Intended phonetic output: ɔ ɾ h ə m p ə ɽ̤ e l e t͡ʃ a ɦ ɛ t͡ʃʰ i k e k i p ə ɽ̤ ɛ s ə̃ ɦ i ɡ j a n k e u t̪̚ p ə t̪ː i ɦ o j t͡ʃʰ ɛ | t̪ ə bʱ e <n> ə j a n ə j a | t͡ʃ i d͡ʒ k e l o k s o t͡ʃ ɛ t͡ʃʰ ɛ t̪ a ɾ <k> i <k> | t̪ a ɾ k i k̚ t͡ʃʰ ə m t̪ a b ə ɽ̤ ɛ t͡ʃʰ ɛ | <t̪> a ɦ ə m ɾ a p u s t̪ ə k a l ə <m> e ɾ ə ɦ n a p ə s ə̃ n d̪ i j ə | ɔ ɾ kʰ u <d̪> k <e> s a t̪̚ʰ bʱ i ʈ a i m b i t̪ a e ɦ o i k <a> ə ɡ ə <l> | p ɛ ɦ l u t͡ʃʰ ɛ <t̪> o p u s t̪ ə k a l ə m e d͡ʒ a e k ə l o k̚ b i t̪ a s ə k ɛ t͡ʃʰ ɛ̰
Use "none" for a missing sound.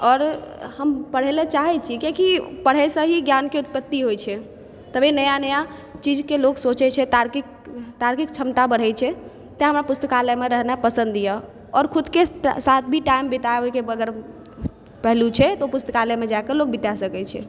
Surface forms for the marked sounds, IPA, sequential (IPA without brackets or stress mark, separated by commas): n, k, k, t̪, m, d̪, e, e, ɾ, t̪